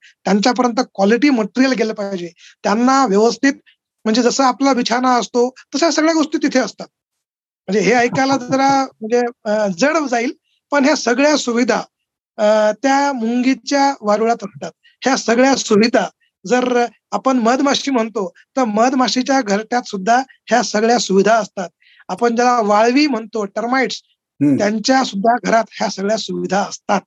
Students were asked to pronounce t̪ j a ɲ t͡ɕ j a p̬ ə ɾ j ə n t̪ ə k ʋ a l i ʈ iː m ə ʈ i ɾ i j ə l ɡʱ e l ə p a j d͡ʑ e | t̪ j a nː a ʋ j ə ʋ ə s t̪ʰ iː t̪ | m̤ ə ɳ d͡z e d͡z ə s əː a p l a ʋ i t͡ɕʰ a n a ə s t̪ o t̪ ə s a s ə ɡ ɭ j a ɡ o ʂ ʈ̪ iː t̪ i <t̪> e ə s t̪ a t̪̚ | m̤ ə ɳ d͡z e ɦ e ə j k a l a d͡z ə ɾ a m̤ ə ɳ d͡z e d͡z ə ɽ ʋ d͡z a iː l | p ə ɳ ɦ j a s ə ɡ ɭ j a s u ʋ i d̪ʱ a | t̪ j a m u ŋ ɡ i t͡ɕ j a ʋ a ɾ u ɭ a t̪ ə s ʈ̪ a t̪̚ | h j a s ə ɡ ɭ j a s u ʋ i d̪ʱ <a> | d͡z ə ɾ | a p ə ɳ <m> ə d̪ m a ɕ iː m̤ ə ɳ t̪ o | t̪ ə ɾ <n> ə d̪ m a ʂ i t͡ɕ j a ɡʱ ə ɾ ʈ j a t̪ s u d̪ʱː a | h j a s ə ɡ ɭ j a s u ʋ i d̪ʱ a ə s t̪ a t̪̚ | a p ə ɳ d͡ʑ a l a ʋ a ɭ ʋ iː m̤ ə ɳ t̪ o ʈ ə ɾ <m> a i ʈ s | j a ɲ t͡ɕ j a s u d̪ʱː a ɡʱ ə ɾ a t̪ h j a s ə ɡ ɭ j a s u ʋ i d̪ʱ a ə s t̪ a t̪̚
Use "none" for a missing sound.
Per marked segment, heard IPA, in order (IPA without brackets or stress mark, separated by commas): t̪ʰ, a, m, m, m